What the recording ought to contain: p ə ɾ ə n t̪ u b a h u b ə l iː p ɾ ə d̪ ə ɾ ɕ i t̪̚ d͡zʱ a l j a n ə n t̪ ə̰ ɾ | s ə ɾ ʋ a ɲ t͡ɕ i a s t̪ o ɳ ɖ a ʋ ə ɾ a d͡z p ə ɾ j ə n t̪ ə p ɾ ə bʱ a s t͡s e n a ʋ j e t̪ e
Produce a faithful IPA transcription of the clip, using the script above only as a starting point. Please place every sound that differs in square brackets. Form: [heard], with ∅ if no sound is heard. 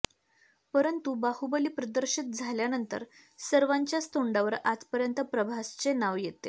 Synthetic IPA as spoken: p ə ɾ ə n t̪ u b a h u b ə l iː p ɾ ə d̪ ə ɾ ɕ i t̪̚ d͡zʱ a l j a n ə n t̪ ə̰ ɾ | s ə ɾ ʋ a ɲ t͡ɕ [j] a s t̪ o ɳ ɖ a ʋ ə ɾ a d͡z p ə ɾ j ə n t̪ ə p ɾ ə bʱ a s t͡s e n a ʋ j e t̪ e